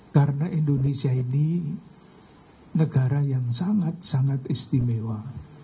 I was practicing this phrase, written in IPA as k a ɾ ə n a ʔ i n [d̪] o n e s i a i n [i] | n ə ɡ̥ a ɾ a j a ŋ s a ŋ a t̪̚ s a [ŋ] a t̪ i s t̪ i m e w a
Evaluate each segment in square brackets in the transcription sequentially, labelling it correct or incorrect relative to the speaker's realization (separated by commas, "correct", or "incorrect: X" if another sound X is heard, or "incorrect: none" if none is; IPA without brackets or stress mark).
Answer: correct, correct, correct